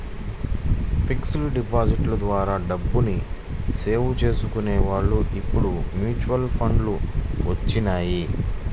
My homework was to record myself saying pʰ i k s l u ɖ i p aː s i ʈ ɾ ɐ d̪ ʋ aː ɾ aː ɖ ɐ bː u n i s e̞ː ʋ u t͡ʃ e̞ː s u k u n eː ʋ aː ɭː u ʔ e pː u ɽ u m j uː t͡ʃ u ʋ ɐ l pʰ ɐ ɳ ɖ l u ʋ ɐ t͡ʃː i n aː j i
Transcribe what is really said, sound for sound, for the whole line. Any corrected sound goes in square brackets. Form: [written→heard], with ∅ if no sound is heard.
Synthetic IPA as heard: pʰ i k s l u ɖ i p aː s i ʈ [ɾ→l] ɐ d̪ ʋ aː ɾ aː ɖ ɐ bː u n i s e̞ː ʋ u t͡ʃ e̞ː s u k u n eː ʋ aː ɭː u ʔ [e→i] pː u ɽ u m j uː t͡ʃ u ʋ ɐ l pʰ ɐ ɳ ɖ l u ʋ ɐ t͡ʃː i n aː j i